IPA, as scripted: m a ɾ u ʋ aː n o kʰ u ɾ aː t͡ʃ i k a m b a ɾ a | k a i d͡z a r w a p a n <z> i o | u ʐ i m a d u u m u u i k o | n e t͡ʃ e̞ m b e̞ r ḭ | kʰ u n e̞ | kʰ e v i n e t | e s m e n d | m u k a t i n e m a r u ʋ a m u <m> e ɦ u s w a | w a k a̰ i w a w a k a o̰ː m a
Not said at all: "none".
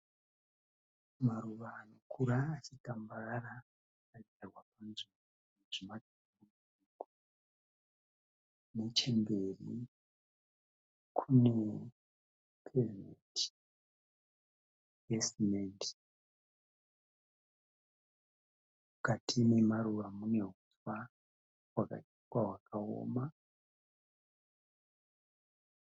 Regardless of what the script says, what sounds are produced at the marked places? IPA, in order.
z, n

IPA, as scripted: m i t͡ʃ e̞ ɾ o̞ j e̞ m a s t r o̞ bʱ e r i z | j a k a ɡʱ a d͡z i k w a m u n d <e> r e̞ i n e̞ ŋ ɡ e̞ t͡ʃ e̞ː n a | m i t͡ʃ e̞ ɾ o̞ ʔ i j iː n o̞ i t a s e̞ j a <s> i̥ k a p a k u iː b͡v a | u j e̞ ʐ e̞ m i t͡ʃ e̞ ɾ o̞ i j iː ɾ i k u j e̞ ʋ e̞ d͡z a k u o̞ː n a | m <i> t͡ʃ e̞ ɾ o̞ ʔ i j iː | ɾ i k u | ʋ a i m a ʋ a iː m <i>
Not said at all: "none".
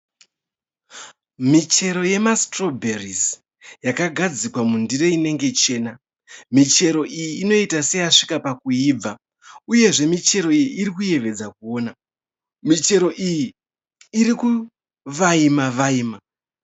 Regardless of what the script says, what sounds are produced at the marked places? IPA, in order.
i, ʂ, i, a

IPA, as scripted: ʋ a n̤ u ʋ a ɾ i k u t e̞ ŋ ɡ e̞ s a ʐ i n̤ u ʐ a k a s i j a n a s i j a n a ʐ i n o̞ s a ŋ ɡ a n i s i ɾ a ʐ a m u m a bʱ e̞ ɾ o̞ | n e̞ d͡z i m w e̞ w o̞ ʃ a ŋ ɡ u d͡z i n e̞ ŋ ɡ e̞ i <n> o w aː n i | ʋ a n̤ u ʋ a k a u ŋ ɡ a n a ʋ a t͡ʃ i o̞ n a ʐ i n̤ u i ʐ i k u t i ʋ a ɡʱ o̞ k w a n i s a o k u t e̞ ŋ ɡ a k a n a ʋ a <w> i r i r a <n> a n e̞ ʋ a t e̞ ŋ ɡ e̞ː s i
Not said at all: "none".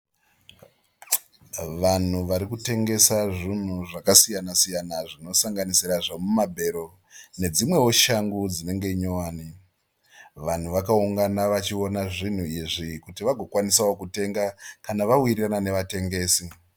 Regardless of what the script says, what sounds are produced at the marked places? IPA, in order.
ɲ, w, n

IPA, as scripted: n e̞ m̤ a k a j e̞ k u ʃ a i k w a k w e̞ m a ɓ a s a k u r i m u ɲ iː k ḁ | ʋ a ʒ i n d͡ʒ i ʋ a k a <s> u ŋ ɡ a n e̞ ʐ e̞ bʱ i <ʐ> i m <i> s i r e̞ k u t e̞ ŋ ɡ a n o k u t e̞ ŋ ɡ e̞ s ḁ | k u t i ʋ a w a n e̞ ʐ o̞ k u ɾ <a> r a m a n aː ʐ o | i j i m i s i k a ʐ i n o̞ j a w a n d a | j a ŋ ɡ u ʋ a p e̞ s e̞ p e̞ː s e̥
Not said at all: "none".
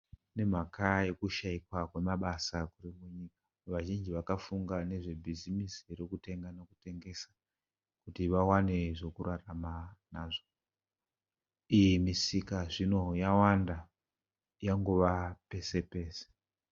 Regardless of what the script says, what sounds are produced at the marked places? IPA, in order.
f, z, i, a

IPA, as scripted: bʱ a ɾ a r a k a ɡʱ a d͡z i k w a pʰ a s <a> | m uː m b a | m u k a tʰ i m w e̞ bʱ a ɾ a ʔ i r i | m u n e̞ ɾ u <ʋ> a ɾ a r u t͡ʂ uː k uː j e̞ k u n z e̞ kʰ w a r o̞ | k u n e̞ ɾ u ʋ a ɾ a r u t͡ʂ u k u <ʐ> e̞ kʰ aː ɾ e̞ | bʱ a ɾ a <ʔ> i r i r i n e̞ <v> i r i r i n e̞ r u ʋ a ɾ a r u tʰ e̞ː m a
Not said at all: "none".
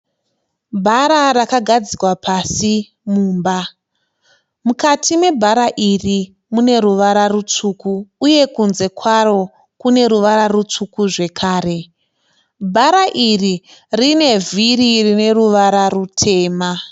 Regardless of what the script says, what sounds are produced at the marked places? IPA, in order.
i, ʋ, ʐ, ʔ, v

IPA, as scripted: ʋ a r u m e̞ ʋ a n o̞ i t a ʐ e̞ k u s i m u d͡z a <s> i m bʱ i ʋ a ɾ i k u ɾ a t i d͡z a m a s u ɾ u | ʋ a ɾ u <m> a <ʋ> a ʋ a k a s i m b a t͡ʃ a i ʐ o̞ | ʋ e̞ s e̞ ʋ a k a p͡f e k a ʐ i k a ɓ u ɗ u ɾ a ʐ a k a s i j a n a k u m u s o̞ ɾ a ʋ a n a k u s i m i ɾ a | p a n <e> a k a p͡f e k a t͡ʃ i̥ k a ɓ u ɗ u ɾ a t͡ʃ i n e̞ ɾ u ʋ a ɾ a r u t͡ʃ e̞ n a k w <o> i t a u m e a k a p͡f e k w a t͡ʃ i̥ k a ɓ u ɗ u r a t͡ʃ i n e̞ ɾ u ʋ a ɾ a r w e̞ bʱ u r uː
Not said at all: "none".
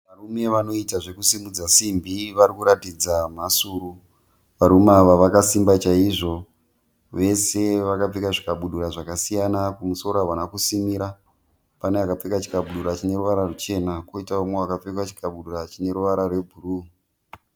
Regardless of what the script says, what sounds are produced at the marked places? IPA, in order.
s, m, ʋ, e, o

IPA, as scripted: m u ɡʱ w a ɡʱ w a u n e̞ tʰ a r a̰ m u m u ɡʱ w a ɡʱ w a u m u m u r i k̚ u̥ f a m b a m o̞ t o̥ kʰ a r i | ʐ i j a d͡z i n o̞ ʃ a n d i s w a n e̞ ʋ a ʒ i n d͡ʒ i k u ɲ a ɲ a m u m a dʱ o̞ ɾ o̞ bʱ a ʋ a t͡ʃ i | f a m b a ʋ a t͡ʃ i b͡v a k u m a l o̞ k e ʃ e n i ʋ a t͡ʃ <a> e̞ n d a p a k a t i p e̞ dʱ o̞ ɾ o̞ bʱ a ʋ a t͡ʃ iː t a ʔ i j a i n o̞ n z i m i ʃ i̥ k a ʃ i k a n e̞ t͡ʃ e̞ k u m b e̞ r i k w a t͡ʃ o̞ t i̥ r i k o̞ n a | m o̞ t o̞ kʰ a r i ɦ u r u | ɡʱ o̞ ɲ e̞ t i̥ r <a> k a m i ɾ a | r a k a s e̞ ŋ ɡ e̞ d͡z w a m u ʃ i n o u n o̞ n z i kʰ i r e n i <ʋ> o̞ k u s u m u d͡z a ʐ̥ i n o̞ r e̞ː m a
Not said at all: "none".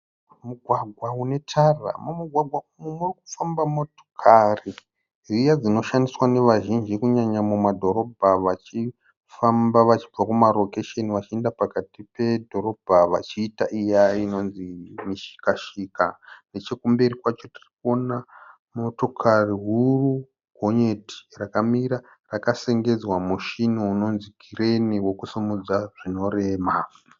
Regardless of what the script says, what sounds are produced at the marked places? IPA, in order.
i, a, w

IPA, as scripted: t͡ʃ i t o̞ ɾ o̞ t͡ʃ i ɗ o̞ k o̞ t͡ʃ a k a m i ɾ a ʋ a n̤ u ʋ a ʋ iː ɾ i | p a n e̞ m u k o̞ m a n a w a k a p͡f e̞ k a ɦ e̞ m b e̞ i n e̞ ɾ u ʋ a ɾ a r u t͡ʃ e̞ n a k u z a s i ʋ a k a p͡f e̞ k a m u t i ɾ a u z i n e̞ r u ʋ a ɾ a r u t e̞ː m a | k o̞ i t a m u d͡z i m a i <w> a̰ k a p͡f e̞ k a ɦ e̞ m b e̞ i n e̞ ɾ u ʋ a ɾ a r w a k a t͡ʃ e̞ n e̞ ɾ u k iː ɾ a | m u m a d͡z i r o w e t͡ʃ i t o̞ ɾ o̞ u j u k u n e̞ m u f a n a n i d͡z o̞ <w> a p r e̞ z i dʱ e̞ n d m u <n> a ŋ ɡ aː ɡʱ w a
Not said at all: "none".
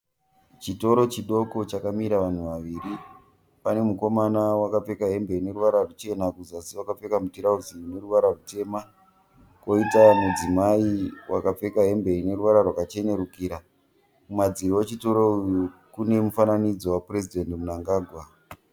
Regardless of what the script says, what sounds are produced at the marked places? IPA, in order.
w, w, n

